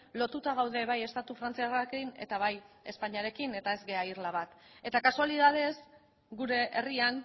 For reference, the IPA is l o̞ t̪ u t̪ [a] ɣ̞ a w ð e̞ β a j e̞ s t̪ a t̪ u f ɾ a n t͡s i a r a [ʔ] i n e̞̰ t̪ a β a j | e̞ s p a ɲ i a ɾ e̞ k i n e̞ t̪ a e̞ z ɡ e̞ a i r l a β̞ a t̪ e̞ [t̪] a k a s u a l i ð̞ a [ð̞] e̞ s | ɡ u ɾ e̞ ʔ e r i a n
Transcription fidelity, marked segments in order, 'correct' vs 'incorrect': correct, incorrect, correct, correct

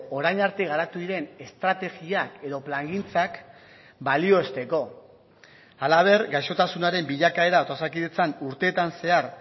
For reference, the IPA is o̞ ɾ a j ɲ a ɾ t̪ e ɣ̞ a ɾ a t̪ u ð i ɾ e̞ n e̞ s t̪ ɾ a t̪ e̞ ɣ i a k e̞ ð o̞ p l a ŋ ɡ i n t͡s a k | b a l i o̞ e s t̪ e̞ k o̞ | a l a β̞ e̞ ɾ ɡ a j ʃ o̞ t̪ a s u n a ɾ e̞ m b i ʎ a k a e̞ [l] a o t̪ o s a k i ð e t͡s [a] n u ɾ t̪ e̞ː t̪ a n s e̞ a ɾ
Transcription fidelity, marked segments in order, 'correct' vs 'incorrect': incorrect, correct

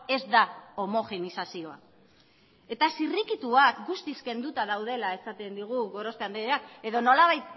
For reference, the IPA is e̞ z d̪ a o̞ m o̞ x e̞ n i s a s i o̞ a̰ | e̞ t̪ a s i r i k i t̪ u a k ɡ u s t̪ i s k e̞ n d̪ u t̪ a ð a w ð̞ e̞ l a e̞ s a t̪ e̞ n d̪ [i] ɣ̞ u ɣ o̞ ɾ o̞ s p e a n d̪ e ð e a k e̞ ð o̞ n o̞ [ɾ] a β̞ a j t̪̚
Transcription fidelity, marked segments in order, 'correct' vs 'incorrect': correct, incorrect

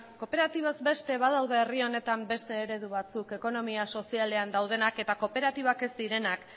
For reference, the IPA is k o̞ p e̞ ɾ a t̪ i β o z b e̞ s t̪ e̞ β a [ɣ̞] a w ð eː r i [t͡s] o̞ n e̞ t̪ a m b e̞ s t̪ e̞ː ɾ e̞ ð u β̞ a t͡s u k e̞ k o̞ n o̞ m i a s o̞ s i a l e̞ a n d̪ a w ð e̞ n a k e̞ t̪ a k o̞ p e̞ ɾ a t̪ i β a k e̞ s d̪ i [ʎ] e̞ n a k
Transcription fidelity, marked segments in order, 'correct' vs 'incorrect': incorrect, incorrect, incorrect

